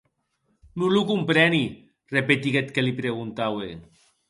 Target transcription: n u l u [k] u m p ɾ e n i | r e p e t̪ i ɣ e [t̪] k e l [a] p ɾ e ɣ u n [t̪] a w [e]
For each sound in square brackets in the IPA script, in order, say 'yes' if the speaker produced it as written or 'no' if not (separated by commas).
yes, yes, no, yes, yes